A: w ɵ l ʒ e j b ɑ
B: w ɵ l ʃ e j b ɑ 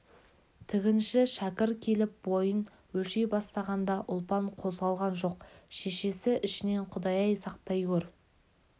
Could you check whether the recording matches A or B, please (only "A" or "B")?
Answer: B